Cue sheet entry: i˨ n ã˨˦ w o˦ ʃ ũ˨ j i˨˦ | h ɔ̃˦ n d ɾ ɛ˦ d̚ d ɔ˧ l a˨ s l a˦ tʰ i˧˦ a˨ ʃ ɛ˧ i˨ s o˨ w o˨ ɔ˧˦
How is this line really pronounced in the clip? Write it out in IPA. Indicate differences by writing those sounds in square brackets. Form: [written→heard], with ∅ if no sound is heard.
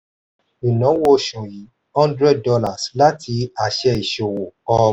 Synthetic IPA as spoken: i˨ n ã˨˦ w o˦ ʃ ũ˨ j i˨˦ | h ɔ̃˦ n d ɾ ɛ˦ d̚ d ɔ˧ l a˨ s l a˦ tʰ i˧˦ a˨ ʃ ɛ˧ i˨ [s→ʃ] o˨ w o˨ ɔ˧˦